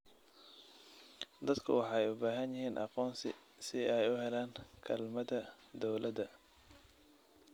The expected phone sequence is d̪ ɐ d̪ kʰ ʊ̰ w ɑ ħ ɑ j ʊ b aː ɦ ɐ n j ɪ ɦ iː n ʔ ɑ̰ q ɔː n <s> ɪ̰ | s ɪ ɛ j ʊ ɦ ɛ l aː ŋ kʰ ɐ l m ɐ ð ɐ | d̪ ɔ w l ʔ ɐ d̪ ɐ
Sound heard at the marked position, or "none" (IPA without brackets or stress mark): s